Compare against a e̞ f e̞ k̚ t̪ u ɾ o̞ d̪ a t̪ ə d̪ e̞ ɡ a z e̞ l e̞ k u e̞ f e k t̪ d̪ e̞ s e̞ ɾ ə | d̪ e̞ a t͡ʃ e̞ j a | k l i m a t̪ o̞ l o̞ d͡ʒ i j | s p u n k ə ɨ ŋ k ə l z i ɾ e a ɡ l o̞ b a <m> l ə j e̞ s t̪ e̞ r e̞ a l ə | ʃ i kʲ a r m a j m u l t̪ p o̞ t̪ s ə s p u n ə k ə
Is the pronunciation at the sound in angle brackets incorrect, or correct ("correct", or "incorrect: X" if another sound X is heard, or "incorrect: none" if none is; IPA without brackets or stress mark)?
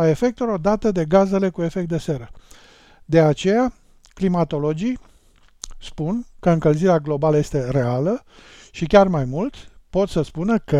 incorrect: none